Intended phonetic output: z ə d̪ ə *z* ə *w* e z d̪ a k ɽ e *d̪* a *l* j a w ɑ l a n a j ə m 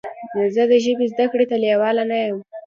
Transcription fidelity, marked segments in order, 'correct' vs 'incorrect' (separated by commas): incorrect, incorrect, incorrect, correct